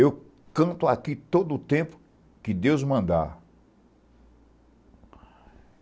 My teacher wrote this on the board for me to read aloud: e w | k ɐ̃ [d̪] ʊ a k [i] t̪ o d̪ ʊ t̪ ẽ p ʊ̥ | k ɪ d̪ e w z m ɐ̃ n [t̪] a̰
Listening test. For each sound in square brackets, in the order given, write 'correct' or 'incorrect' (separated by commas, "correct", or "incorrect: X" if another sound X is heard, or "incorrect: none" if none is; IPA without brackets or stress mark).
incorrect: t̪, correct, incorrect: d̪